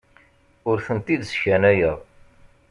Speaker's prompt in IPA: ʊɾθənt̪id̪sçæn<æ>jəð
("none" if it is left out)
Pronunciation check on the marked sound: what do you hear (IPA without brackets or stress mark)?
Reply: æ